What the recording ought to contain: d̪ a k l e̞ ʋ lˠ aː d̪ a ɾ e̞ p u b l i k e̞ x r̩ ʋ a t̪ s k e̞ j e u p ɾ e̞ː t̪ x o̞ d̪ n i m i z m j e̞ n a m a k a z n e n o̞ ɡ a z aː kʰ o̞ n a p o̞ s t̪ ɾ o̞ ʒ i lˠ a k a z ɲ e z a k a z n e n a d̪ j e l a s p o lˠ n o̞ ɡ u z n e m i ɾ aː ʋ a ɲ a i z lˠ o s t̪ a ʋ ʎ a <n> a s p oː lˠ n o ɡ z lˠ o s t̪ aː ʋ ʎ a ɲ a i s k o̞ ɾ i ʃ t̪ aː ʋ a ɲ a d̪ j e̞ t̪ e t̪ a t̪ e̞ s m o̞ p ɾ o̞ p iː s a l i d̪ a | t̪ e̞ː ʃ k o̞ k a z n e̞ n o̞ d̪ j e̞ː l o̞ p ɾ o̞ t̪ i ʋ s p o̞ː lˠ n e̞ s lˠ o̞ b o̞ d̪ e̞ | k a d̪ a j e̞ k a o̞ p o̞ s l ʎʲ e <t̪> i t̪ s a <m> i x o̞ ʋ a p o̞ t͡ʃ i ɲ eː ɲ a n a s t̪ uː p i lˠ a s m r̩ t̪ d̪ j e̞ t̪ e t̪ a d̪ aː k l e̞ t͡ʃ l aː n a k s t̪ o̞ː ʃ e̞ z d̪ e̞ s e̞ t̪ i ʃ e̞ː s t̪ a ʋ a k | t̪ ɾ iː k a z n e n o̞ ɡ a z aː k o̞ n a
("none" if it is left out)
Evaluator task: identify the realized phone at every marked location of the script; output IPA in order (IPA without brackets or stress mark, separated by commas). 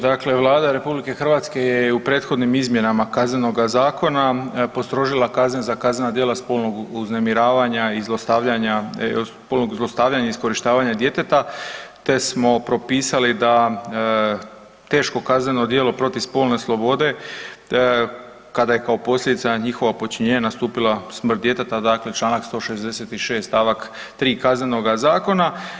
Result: ɲ, d̪, ɲ